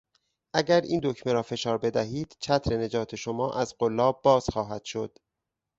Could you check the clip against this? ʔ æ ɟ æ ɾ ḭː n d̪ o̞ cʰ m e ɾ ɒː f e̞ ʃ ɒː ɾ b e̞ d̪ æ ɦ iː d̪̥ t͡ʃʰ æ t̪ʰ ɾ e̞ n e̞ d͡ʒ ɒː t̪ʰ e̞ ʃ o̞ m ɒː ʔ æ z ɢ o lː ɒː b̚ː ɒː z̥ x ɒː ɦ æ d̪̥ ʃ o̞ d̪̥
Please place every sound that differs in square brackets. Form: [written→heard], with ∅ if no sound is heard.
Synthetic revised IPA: ʔ æ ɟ æ ɾ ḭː n d̪ o̞ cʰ m e ɾ ɒː f e̞ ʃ ɒː ɾ b e̞ d̪ æ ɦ iː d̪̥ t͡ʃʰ æ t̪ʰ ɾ e̞ n e̞ d͡ʒ ɒː t̪ʰ e̞ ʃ o̞ m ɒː ʔ æ z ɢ o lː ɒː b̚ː ɒː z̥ x ɒː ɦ æ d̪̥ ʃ o̞ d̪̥